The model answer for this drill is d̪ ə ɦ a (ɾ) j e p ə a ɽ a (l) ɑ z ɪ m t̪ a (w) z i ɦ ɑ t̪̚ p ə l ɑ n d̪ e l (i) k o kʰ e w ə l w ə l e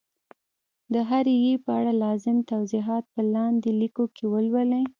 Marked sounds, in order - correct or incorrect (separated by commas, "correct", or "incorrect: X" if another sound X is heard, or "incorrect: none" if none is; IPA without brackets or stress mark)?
correct, correct, correct, correct